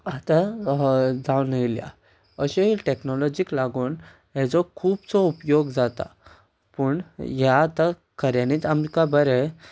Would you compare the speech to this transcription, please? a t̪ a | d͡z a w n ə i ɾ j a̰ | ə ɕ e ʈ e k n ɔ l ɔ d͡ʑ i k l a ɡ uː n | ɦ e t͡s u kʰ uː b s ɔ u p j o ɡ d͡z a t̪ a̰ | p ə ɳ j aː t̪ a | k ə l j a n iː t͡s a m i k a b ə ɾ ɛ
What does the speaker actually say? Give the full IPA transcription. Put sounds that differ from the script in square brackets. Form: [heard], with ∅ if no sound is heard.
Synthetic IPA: a t̪ a | d͡z a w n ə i [l] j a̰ | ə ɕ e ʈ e k n ɔ l ɔ d͡ʑ i k l a ɡ uː n | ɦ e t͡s [ɔ] kʰ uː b [t͡s] ɔ u p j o ɡ d͡z a t̪ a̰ | p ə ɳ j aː t̪ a | k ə [ɾ] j a n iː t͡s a m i k a b ə ɾ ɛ